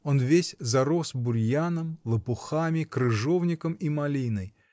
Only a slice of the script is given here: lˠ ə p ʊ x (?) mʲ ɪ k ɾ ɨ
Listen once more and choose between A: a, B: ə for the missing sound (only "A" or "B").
A